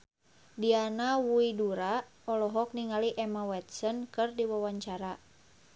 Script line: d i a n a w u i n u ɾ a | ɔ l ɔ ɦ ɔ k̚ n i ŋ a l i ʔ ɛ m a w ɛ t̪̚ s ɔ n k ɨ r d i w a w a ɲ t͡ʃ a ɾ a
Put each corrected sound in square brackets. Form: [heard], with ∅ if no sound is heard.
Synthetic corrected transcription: d i a n a w u i [d] u ɾ a | ɔ l ɔ ɦ ɔ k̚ n i ŋ a l i ʔ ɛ m a w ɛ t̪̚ s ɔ n k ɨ r d i w a w a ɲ t͡ʃ a ɾ a

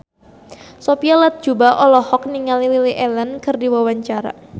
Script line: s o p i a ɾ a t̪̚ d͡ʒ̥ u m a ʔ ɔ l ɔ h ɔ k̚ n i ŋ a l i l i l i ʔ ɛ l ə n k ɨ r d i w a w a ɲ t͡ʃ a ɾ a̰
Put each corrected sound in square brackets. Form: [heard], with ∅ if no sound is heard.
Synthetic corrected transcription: s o p i a [l] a t̪̚ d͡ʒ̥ u [b] a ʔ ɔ l ɔ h ɔ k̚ n i ŋ a l i l i l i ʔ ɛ l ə n k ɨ r d i w a w a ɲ t͡ʃ a ɾ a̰

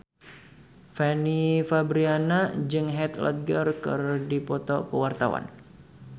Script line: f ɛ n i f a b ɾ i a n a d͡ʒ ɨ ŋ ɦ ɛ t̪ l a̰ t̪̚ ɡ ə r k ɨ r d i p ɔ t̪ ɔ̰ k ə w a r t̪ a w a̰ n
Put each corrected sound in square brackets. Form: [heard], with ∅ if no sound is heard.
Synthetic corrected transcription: f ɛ n i f a b ɾ i a n a d͡ʒ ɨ ŋ ɦ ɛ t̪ l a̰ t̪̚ ɡ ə r k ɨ r d i p ɔ t̪ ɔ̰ k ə w a r t̪ a w a̰ n

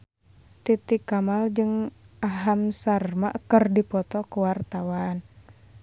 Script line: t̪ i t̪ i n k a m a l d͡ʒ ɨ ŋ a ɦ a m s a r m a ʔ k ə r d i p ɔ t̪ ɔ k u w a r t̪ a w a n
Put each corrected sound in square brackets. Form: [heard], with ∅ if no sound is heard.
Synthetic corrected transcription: t̪ i t̪ i [∅] k a m a l d͡ʒ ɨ ŋ a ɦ a m s a r m a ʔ k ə r d i p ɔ t̪ ɔ k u w a r t̪ a w a n

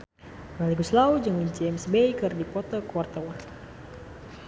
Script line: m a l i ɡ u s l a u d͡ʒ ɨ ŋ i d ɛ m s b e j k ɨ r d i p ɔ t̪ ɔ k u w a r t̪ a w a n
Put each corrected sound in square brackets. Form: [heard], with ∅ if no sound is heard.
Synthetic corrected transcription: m a l i ɡ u s l a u d͡ʒ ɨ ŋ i [d͡ʒ] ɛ m s b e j k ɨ r d i p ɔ t̪ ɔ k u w a r t̪ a w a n

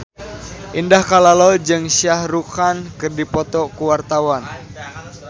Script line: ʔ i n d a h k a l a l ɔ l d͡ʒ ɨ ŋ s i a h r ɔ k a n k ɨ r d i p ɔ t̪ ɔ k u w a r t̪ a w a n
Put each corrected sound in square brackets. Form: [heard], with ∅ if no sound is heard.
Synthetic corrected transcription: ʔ i n d a h k a l a l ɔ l d͡ʒ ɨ ŋ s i a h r [u] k a n k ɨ r d i p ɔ t̪ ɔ k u w a r t̪ a w a n

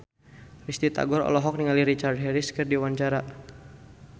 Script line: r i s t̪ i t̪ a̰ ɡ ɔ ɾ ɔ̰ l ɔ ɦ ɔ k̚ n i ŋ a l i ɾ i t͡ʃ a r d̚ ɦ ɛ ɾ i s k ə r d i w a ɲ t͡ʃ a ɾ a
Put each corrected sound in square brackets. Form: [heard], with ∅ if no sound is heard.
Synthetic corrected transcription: r i s t̪ i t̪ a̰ ɡ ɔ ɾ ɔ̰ l ɔ ɦ ɔ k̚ n i ŋ a l i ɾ i t͡ʃ a r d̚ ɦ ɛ ɾ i s k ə r d i w a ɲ t͡ʃ a ɾ a

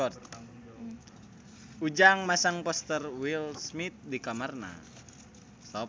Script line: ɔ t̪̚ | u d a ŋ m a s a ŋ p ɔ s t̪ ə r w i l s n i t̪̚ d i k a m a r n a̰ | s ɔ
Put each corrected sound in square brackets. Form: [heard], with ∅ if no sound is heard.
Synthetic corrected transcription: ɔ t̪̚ | u [d͡ʒ] a ŋ m a s a ŋ p ɔ s t̪ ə r w i l s [m] i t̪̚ d i k a m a r n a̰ | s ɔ

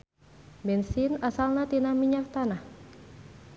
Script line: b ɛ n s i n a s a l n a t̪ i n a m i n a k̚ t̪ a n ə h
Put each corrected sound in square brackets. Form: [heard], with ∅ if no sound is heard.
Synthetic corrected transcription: b ɛ n s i n a s a l n a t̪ i n a m i [ɲ] a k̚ t̪ a n [a] h

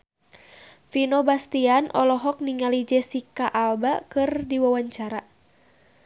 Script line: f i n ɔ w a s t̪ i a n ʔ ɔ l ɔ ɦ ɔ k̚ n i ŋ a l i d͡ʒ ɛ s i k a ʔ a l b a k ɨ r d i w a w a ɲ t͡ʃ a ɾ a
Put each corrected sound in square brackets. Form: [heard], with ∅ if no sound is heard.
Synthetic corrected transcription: f i n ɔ [b] a s t̪ i a n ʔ ɔ l ɔ ɦ ɔ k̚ n i ŋ a l i d͡ʒ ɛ s i k a ʔ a l b a k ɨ r d i w a w a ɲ t͡ʃ a ɾ a

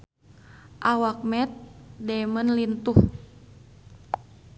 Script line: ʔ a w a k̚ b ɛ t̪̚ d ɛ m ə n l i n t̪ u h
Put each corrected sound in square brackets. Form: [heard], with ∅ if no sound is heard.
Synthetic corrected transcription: ʔ a w a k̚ [m] ɛ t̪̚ d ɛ m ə n l i n t̪ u h

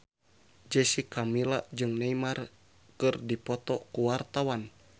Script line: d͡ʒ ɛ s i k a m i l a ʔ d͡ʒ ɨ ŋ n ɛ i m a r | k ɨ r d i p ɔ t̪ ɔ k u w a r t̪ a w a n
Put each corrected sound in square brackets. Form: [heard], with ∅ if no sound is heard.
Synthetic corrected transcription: d͡ʒ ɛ s i k a m i l a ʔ d͡ʒ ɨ ŋ n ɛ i m a r | k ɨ r d i p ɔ t̪ ɔ k u w a r t̪ a w a n

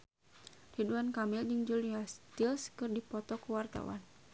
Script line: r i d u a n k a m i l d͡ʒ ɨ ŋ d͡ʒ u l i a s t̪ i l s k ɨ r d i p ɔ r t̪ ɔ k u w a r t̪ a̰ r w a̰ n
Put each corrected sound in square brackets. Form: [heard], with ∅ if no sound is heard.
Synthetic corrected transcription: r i d u a n k a m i l d͡ʒ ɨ ŋ d͡ʒ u l i a s t̪ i l s k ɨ r d i p ɔ [∅] t̪ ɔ k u w a r t̪ a̰ [∅] w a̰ n

